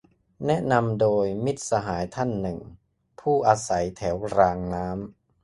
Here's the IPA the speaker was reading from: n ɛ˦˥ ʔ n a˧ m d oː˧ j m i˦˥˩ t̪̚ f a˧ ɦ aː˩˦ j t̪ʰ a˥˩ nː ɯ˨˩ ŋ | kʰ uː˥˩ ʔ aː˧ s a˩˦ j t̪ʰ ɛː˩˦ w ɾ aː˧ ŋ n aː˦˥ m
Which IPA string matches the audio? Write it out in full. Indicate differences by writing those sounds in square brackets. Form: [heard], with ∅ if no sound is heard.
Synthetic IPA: n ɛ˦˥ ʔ n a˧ m d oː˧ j m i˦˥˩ t̪̚ [s] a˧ ɦ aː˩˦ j t̪ʰ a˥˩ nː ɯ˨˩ ŋ | [pʰ] uː˥˩ ʔ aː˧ s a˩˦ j t̪ʰ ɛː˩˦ w ɾ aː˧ ŋ n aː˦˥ m